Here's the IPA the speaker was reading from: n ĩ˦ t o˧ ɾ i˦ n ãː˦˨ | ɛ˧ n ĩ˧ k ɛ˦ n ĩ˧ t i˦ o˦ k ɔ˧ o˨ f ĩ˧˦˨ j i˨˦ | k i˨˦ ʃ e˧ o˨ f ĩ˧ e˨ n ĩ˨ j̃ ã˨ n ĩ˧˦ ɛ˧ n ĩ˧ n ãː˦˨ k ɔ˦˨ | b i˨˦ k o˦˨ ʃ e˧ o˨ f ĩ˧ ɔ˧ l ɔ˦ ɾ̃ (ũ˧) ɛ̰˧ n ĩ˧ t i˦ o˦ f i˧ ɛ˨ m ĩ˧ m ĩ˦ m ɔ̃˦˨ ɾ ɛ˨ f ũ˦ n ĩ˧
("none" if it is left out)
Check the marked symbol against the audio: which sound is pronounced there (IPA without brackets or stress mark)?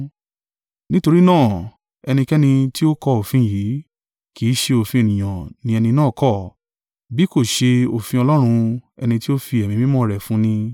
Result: ũ˧